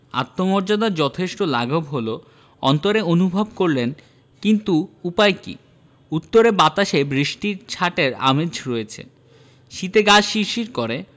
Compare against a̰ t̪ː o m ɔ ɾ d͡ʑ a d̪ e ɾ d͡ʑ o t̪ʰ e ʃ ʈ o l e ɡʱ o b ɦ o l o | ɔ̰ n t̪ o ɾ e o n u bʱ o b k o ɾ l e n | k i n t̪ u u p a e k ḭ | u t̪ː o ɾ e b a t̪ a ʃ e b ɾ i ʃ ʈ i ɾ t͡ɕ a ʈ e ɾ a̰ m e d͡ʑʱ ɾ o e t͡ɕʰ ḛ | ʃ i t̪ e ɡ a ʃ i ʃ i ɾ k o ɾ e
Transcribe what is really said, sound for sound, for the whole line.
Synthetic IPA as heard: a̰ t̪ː o m ɔ ɾ d͡ʑ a d̪ a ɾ d͡ʑ ɔ t̪ʰ e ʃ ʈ o l a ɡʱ o b ɦ o l o | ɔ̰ n t̪ o ɾ e o n u bʱ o b k o ɾ l e n | k i n t̪ u u p a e k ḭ | u t̪ː o ɾ e b a t̪ a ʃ e b ɾ i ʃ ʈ i ɾ t͡ɕʰ a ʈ e ɾ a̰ m e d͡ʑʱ ɾ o e t͡ɕʰ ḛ | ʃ i t̪ e ɡ a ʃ i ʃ i ɾ k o ɾ e

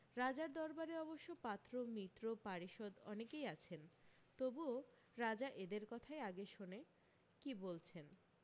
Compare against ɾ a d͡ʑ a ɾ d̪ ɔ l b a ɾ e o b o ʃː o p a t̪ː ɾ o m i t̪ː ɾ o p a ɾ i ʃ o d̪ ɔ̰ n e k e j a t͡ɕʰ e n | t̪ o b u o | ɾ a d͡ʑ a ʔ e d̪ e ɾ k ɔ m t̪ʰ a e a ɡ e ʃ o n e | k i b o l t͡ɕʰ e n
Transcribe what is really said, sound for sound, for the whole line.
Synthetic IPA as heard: ɾ a d͡ʑ a ɾ d̪ ɔ ɾ b a ɾ e ɔ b o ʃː o p a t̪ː ɾ o m i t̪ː ɾ o p a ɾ i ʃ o d̪ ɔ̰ n e k e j a t͡ɕʰ e n | t̪ o b u o | ɾ a d͡ʑ a ʔ e d̪ e ɾ k ɔ t̪ʰ a e a ɡ e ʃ o n e | k i b o l t͡ɕʰ e n

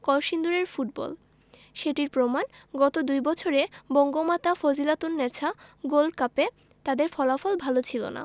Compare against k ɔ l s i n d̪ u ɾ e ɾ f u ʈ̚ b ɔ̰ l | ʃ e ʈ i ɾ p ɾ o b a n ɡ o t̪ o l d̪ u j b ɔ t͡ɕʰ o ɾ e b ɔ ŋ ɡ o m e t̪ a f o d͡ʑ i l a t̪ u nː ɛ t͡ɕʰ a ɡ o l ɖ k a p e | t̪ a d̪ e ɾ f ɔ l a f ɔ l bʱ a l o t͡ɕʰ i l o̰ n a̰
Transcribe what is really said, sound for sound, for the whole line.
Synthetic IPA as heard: k ɔ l ʃ i n d̪ u ɾ e ɾ f u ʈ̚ b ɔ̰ l | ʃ e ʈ i ɾ p ɾ o m a n ɡ ɔ t̪ o d̪ u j b ɔ t͡ɕʰ o ɾ e b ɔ ŋ ɡ o m a t̪ a f o d͡ʑ i l a t̪ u nː ɛ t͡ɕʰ a ɡ o l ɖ k a p e | t̪ a d̪ e ɾ f ɔ l a f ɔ l bʱ a l o t͡ɕʰ i l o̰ n a̰

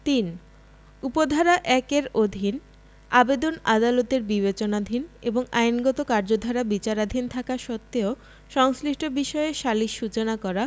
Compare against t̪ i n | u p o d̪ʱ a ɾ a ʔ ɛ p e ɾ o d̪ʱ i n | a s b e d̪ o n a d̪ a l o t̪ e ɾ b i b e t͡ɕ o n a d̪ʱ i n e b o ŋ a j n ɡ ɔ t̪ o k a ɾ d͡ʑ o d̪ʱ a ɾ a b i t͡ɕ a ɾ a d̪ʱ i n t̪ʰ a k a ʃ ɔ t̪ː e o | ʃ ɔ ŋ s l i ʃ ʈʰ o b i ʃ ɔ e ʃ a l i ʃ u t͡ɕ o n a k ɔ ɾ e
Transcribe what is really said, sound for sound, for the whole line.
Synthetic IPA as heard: t̪ i n | u p o d̪ʱ a ɾ a ʔ ɛ k e ɾ o d̪ʱ i n | a b e d̪ o n a d̪ a l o t̪ e ɾ b i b e t͡ɕ o n a d̪ʱ i n e b o ŋ a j n ɡ ɔ t̪ o k a ɾ d͡ʑ o d̪ʱ a ɾ a b i t͡ɕ a ɾ a d̪ʱ i n t̪ʰ a k a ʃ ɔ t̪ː e o | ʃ ɔ ŋ s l i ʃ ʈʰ o b i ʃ ɔ e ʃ a l i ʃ u t͡ɕ o n a k ɔ ɾ a

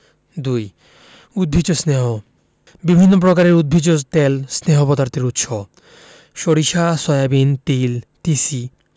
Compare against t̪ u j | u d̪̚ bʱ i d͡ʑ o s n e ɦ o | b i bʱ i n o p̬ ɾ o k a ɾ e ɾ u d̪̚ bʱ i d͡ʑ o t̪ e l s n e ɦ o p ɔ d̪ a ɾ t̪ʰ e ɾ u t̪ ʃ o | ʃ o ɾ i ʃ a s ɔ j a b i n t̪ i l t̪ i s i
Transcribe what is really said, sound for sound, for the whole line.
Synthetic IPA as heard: d̪ u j | u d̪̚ bʱ i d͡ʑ o s n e ɦ o | b i bʱ i nː o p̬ ɾ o k a ɾ e ɾ u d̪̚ bʱ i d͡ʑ o t̪ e l s n e ɦ o p ɔ d̪ a ɾ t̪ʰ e ɾ u t̪ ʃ o | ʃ o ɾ i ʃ a s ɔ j a b i n t̪ i l t̪ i s i

